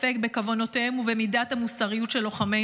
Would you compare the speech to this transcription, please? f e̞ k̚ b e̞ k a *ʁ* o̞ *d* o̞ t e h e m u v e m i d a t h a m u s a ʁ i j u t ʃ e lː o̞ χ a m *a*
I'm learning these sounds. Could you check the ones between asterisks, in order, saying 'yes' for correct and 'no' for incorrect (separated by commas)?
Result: no, no, no